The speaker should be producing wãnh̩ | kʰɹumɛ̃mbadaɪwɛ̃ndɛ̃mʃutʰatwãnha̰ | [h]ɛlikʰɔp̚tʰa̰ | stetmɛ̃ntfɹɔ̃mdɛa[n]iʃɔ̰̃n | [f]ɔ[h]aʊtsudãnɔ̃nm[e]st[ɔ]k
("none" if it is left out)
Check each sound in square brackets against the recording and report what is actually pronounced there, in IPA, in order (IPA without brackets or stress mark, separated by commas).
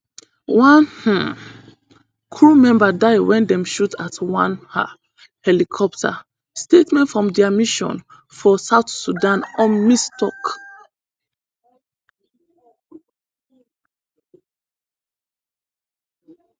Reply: h, m, f, s, i, ɔ